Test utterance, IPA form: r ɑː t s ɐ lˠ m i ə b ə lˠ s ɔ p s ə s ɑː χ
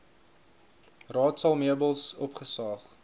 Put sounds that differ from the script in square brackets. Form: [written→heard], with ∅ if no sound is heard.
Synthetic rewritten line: r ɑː t s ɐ lˠ m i ə b ə lˠ s ɔ p [s→χ] ə s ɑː χ